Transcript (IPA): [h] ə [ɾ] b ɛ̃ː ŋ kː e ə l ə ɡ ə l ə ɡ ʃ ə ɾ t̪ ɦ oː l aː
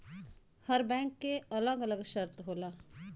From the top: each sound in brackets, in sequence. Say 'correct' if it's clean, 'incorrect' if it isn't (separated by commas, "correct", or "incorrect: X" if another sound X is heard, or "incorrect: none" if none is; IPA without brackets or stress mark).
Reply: correct, correct